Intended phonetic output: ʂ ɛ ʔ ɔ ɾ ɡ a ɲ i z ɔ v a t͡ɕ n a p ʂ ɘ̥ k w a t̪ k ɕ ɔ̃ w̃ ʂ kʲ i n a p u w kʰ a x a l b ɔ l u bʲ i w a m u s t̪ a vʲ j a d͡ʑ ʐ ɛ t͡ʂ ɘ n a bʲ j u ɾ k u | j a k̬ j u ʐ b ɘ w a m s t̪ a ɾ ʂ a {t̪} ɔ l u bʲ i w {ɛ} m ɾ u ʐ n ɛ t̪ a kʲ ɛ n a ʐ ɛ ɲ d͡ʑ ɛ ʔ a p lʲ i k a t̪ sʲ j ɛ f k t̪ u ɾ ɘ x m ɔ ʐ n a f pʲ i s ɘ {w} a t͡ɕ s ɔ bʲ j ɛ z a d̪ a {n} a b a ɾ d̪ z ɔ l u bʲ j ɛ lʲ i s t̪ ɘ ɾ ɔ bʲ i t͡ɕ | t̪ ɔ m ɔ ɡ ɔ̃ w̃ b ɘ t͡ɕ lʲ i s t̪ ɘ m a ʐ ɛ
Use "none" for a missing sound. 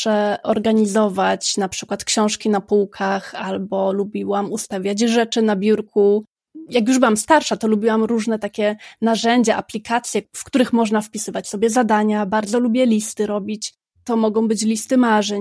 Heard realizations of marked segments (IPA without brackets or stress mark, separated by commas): t̪, a, v, ɲ